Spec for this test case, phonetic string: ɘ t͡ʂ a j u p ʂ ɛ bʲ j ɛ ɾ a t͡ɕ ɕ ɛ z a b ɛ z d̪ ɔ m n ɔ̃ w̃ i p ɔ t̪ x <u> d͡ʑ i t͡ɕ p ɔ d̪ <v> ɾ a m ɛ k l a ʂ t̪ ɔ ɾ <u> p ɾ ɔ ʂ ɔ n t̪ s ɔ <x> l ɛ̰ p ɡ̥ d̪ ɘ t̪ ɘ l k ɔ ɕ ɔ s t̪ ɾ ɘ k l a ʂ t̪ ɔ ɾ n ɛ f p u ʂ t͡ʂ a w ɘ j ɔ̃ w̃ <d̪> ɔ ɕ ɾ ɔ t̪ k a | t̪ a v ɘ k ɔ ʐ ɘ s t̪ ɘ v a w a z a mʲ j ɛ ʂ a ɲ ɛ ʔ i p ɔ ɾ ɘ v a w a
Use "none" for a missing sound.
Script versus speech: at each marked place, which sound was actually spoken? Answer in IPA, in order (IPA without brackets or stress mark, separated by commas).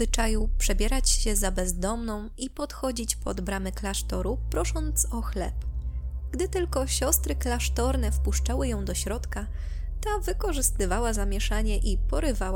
ɔ, b, u, x, d̪